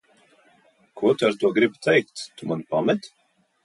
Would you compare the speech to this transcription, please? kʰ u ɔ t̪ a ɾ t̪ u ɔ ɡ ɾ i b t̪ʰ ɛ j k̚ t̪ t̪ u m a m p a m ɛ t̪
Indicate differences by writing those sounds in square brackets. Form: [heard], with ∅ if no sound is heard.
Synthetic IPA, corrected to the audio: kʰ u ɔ t̪ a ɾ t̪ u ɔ ɡ ɾ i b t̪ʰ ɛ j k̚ t̪ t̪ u m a [n] p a m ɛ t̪